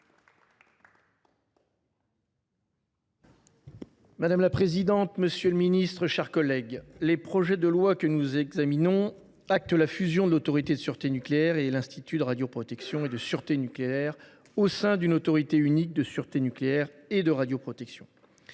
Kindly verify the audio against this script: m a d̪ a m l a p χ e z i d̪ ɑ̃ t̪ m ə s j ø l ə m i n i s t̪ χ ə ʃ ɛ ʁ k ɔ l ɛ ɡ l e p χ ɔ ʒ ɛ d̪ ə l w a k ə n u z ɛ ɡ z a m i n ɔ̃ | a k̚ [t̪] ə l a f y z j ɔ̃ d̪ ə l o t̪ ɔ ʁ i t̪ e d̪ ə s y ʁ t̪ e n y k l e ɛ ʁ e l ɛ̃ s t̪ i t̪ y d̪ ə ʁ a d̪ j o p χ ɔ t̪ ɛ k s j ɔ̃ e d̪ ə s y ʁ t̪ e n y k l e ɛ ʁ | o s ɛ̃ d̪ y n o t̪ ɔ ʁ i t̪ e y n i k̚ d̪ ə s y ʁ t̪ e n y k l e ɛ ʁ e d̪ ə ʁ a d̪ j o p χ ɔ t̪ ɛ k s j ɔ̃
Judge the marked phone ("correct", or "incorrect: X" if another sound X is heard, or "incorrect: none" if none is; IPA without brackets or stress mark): correct